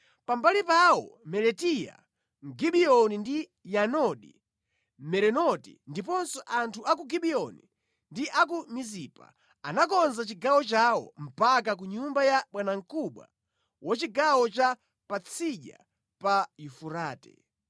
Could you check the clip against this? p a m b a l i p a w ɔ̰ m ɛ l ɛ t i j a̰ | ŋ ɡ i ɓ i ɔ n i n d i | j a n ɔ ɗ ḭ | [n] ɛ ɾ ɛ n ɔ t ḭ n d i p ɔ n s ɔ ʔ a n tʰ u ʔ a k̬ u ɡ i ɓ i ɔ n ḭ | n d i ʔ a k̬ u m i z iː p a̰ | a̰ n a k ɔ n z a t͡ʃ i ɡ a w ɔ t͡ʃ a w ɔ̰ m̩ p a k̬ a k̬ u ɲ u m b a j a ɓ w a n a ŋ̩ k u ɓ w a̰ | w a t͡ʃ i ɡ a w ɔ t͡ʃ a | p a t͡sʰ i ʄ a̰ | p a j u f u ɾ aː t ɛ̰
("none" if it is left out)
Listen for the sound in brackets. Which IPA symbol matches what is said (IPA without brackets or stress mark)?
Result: m